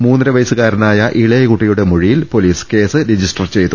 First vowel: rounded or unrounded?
rounded